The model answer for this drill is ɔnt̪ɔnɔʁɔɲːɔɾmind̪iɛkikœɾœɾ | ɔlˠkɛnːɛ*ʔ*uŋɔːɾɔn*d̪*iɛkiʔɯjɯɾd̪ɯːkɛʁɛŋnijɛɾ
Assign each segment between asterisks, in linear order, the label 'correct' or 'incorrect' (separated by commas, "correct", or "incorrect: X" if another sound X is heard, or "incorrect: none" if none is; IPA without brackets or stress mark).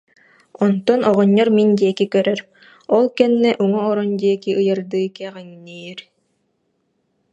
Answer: correct, correct